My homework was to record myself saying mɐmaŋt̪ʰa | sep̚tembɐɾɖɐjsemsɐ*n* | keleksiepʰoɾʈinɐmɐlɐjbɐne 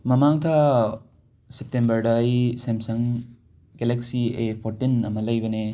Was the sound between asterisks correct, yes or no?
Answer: no